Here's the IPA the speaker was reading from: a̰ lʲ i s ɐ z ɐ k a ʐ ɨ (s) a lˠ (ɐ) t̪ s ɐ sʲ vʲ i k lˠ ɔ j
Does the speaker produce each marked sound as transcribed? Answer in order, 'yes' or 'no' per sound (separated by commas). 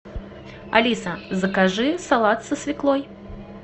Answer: yes, no